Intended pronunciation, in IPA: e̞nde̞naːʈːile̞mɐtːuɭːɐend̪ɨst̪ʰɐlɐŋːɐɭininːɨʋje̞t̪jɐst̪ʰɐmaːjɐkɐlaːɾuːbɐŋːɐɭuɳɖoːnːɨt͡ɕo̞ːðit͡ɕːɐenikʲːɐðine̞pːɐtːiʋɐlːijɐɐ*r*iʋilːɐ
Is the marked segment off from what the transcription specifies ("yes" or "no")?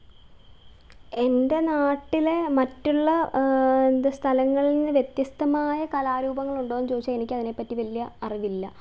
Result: no